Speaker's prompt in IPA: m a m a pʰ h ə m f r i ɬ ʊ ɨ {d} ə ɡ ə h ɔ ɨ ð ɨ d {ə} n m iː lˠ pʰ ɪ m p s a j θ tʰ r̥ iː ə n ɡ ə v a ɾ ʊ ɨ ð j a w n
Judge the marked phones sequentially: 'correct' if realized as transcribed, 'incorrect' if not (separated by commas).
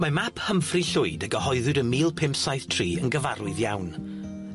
correct, correct